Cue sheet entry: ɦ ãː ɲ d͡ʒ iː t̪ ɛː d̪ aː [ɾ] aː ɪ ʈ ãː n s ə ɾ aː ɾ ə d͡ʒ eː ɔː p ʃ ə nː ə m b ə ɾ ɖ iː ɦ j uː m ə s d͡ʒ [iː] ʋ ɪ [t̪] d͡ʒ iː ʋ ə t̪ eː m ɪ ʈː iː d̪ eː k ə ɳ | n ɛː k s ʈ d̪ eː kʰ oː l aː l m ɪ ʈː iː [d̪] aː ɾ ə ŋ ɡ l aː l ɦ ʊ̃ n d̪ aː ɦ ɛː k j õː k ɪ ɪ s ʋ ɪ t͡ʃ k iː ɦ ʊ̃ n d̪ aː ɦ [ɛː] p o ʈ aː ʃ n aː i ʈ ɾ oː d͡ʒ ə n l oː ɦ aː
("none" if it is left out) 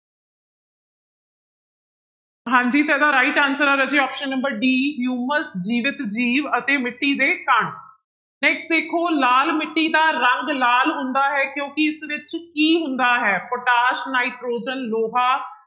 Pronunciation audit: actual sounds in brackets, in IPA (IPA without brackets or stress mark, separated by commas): ɾ, iː, t̪, d̪, ɛː